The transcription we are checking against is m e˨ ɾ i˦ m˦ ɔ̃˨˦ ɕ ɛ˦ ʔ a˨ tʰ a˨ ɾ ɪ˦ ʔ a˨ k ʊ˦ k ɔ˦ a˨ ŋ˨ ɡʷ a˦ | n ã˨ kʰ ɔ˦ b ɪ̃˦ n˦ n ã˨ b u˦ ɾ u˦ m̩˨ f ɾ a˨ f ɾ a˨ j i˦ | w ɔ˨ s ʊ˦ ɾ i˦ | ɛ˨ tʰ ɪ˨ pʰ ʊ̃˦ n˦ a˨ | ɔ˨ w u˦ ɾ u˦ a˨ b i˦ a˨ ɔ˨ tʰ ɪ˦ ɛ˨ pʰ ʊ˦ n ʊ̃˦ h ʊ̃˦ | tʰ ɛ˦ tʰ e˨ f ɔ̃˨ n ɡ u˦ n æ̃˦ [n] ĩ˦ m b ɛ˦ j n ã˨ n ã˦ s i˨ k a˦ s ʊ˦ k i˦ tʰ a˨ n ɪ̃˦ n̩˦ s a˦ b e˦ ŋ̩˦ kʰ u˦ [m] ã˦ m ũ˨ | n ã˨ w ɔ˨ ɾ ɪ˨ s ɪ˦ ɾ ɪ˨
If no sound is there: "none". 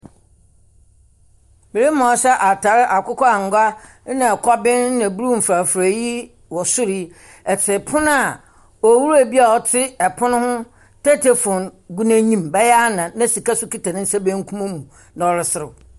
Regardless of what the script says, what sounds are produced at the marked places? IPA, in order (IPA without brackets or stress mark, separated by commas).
ɲ, m